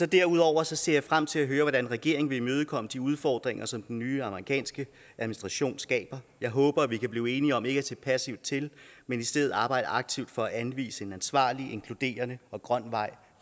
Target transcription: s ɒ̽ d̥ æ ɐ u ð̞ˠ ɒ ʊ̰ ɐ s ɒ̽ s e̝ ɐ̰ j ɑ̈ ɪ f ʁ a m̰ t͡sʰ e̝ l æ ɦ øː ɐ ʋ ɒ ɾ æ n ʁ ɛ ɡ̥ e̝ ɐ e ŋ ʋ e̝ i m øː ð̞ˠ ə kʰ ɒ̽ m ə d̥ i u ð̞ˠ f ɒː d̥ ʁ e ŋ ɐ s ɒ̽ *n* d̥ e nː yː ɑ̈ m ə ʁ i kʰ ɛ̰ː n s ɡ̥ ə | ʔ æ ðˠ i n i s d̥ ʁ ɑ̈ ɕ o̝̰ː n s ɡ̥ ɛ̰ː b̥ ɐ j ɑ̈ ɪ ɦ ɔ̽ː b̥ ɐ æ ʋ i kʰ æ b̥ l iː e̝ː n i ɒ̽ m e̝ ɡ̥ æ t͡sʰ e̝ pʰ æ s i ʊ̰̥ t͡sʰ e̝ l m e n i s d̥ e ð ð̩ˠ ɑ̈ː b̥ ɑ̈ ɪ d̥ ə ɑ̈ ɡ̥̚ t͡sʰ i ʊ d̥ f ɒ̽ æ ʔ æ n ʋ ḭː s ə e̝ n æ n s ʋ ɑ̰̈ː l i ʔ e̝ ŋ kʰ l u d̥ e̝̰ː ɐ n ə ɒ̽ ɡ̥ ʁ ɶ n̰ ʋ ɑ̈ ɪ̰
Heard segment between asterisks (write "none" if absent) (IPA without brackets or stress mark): m